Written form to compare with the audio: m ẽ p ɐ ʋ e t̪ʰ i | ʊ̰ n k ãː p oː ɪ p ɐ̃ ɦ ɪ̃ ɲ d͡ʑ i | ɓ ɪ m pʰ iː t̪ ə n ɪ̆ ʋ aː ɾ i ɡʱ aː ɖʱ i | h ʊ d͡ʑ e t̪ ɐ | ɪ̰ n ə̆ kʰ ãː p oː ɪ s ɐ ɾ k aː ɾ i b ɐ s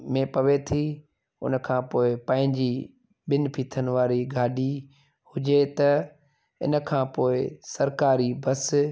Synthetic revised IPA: m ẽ p ɐ ʋ e t̪ʰ i | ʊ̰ n kʰ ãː p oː ɪ p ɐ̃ ɦ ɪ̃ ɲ d͡ʑ i | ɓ ɪ n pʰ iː t̪ʰ ə n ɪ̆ ʋ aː ɾ i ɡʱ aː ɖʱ i | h ʊ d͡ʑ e t̪ ɐ | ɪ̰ n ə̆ kʰ ãː p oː ɪ s ɐ ɾ k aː ɾ i b ɐ s